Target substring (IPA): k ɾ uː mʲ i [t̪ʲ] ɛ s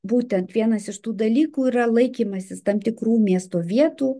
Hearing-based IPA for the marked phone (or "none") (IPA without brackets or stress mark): none